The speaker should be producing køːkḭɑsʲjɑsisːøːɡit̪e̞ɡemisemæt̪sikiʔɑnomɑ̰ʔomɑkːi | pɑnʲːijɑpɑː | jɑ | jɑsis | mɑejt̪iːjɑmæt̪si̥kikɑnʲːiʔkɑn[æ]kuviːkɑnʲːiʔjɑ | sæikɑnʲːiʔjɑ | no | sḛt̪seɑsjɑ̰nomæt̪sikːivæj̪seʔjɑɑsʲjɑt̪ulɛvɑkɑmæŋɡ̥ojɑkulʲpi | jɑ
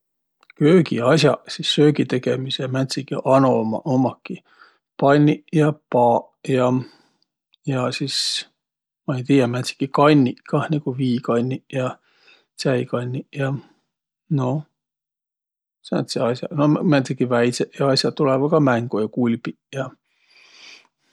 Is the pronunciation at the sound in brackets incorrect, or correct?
incorrect